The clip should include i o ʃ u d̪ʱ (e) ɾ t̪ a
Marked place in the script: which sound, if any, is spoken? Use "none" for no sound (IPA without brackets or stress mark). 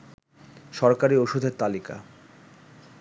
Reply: e